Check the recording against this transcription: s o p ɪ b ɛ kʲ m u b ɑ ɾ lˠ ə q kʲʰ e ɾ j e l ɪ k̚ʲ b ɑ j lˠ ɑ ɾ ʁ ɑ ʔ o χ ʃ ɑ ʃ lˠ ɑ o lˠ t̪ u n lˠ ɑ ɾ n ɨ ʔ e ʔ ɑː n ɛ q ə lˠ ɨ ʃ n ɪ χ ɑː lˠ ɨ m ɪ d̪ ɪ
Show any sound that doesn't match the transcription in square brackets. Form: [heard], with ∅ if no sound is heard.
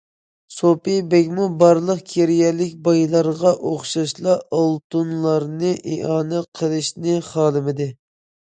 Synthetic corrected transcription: s o p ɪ b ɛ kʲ m u b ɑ ɾ lˠ ə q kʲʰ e ɾ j [ɛ] l ɪ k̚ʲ b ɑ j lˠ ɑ ɾ ʁ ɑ ʔ o χ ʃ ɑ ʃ lˠ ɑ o lˠ t̪ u n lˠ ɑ ɾ n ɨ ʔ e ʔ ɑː n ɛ [qʰ] ə lˠ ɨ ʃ n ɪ χ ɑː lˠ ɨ m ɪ d̪ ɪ